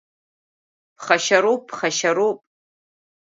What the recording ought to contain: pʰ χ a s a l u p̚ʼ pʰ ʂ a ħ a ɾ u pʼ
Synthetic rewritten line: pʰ χ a ʃ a ɾ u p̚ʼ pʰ χ a ʃ a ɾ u pʼ